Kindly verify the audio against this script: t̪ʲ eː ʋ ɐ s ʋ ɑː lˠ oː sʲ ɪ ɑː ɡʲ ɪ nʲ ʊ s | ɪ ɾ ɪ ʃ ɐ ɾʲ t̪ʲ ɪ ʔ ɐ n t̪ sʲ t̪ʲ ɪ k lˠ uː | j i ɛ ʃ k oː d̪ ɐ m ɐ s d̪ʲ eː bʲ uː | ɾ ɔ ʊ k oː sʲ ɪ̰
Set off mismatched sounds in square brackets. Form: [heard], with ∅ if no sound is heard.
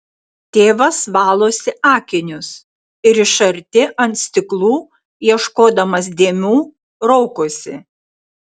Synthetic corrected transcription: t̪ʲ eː ʋ ɐ s ʋ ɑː lˠ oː sʲ ɪ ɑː [kʲ] ɪ nʲ ʊ s | ɪ ɾ ɪ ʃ ɐ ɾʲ t̪ʲ ɪ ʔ ɐ n t̪ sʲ t̪ʲ ɪ k lˠ uː | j i ɛ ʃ k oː d̪ ɐ m ɐ s d̪ʲ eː [mʲ] uː | ɾ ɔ ʊ k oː sʲ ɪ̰